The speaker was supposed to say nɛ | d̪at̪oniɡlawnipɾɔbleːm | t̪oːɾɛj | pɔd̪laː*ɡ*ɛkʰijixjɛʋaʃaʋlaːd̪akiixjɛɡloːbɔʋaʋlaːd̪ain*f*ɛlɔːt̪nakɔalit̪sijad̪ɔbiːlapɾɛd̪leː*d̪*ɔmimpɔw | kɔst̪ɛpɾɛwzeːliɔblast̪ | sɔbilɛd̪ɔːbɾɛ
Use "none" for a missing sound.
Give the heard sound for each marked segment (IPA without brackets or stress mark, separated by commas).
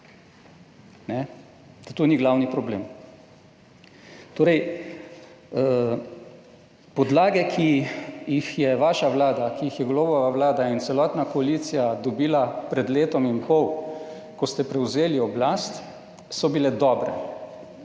ɡ, s, t̪